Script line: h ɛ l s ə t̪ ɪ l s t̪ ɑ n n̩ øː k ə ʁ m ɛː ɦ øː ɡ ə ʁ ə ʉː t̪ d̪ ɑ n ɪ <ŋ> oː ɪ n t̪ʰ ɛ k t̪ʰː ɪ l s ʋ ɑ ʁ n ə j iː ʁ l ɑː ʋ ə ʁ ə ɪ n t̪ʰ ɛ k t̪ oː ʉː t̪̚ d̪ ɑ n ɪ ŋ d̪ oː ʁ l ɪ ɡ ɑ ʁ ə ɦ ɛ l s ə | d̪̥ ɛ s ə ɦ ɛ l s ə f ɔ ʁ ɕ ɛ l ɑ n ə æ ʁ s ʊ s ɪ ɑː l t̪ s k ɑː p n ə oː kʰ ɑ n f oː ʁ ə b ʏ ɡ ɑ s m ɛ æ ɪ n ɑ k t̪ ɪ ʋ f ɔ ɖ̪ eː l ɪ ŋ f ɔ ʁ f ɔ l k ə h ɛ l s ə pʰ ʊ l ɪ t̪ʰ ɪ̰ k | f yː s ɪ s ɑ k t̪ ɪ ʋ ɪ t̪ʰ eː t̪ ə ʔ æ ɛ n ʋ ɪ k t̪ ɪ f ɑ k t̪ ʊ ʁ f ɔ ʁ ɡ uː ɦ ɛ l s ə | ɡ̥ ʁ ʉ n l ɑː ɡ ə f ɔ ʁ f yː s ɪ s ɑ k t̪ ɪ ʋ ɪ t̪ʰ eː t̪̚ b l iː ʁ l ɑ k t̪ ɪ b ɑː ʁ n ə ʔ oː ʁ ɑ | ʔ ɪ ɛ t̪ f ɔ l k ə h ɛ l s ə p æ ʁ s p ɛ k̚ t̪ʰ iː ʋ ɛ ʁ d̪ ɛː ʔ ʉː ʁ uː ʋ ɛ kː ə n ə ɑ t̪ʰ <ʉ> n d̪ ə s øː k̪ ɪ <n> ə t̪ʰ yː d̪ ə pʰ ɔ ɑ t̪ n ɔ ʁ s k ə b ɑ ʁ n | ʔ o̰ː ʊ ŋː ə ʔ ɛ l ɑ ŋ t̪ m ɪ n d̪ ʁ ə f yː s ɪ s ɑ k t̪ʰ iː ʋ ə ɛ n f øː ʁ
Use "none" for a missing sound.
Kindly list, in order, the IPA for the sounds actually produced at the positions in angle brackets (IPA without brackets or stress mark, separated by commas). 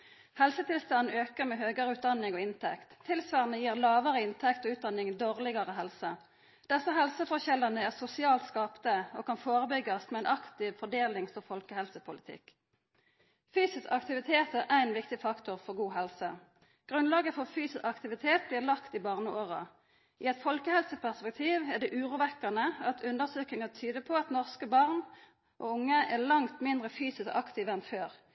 ŋ, ʉ, ŋ